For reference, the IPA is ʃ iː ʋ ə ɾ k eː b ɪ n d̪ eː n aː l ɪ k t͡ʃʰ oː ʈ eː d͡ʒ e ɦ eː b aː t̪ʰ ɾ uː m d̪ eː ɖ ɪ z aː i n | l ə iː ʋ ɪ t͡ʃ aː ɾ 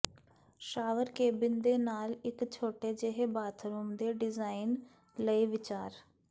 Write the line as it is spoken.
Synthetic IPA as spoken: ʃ aː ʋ ə ɾ k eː b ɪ n d̪ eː n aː l ɪ k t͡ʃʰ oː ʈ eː d͡ʒ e ɦ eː b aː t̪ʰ ɾ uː m d̪ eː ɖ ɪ z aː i n | l ə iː ʋ ɪ t͡ʃ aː ɾ